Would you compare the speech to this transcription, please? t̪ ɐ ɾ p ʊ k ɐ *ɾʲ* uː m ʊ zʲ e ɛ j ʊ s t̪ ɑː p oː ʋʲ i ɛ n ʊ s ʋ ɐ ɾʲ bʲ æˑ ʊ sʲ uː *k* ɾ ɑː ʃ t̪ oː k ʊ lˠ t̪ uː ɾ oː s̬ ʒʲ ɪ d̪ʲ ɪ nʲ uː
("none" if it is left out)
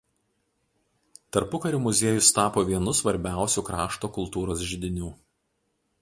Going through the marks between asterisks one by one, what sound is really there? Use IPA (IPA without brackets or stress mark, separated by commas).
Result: ɾʲ, k